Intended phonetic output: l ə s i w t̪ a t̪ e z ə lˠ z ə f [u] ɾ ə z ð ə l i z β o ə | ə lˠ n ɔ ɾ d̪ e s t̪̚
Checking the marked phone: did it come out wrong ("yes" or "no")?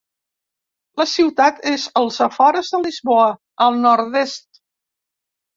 yes